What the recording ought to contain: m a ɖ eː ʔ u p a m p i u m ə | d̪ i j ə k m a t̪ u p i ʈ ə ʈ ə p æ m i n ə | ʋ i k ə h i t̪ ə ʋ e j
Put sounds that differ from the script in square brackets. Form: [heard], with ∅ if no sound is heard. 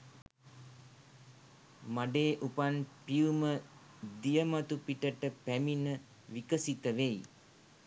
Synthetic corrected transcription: m a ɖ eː ʔ u p a [n] p i u m ə | d̪ i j ə [∅] m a t̪ u p i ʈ ə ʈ ə p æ m i n ə | ʋ i k ə [s] i t̪ ə ʋ e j